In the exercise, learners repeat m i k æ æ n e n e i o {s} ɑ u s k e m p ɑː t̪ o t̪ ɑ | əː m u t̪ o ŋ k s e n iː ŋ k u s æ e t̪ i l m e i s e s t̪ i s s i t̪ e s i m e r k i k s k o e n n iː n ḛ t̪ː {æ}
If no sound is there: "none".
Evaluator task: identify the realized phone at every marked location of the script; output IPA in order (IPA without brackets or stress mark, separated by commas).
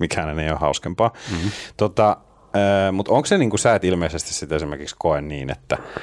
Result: h, æ